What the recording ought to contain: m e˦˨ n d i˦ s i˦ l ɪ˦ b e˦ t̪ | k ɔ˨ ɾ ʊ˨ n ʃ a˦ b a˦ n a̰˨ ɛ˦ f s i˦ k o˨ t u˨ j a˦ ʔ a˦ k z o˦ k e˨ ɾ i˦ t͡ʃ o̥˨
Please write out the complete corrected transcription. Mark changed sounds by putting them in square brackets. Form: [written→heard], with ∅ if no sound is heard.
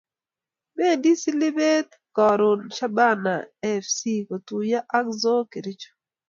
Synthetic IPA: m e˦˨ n d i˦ s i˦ l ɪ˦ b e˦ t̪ | k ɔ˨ ɾ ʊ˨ n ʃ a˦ b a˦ n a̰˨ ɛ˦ f s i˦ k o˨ t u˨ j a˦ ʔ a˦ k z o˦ k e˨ ɾ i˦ t͡ʃ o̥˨

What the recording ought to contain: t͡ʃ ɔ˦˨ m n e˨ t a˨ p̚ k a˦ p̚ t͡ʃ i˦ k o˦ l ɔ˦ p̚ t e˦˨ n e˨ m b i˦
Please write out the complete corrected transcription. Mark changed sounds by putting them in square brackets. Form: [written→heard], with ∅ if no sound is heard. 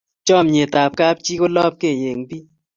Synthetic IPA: t͡ʃ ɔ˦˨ m [n→ɲ] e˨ t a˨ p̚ k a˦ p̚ t͡ʃ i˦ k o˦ l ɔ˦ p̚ [t→k] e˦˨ [n→ɲ] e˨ [m→ŋ] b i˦

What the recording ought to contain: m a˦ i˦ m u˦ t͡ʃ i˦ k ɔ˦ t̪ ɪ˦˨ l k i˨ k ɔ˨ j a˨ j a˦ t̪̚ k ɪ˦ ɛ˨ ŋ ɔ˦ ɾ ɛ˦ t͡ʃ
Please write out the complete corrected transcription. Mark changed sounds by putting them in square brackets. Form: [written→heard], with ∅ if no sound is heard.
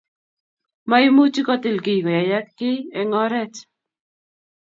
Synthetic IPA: m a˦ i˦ m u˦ t͡ʃ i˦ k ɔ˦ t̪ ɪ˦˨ l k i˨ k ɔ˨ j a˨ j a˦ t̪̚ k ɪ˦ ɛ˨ ŋ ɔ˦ ɾ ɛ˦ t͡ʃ

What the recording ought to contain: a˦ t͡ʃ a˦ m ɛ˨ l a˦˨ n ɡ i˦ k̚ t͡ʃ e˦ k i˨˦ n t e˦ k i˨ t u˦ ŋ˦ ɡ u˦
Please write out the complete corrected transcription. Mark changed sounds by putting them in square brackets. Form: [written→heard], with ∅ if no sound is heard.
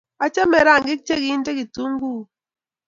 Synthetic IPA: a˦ t͡ʃ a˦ m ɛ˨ [l→ɾ] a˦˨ [n→ŋ] ɡ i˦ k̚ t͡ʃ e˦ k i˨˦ n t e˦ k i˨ t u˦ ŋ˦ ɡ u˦

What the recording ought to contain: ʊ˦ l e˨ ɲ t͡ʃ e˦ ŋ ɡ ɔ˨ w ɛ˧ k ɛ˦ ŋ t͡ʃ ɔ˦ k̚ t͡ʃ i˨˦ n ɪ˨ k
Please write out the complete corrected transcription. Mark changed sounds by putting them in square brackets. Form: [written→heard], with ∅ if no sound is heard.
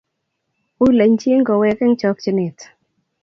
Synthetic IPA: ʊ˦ l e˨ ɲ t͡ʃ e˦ ŋ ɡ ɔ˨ w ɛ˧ k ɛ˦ ŋ t͡ʃ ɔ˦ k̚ t͡ʃ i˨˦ n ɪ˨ [k→t]

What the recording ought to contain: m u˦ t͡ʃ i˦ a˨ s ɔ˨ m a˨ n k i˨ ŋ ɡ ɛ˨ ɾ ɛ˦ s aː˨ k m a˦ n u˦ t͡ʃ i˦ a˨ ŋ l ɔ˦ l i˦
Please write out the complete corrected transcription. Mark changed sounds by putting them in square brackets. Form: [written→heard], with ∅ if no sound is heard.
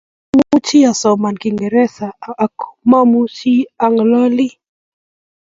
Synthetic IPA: m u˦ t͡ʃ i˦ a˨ s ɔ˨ m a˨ n k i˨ ŋ ɡ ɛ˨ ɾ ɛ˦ s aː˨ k m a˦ [n→m] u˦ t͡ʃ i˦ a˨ ŋ l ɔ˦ l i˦

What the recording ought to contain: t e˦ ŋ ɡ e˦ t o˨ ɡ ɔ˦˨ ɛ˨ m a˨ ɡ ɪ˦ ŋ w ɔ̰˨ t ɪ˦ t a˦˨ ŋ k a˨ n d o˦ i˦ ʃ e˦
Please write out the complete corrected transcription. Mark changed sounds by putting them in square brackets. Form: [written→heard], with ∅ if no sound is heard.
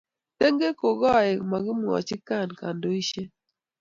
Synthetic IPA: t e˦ ŋ ɡ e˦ [t→k] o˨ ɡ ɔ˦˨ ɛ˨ m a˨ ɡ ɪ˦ [ŋ→m] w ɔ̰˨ [t→t͡ʃ] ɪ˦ [t→k] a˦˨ [ŋ→n] k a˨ n d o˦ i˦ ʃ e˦

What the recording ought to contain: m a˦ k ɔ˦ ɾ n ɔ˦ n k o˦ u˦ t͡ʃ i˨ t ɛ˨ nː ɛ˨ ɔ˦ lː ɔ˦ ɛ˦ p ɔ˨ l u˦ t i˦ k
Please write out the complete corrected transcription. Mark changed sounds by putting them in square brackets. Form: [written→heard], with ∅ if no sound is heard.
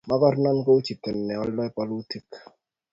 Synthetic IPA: m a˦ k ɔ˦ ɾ n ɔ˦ n k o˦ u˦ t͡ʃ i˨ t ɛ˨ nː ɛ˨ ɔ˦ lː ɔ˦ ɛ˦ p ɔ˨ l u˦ t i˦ k

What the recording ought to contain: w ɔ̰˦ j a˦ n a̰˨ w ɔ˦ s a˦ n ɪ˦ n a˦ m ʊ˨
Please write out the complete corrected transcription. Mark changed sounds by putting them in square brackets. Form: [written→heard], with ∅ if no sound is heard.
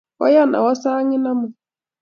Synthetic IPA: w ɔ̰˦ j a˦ n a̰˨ w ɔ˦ s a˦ [n→ŋ] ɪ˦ n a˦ m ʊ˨

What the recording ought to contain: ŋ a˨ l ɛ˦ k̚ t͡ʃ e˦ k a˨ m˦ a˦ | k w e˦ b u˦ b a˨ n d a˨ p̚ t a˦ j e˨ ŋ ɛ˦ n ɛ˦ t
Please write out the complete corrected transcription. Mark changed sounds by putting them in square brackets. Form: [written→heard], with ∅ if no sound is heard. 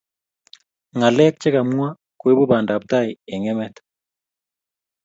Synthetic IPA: ŋ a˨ l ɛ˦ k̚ t͡ʃ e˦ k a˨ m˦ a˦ | k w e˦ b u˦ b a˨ n d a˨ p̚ t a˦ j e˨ ŋ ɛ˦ [n→m] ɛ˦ t

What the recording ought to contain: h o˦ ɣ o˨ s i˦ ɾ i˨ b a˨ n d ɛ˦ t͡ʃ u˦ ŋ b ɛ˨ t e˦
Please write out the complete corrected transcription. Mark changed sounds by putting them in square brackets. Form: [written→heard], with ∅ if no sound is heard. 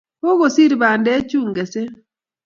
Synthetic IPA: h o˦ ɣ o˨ s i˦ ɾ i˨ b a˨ n d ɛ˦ t͡ʃ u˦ ŋ [b→ɡ] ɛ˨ [t→s] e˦

